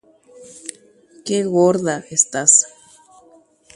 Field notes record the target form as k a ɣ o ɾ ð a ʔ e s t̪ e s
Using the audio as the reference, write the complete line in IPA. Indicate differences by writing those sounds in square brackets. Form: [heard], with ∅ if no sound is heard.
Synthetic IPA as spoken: k [e] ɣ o ɾ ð a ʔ e s t̪ [a] s